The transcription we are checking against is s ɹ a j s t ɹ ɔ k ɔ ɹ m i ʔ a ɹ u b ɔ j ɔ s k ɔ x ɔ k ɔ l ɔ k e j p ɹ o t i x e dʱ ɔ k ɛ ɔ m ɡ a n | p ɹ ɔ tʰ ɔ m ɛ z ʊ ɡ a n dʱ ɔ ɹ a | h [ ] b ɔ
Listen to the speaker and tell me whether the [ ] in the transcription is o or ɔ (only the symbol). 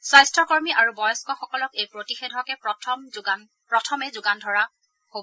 o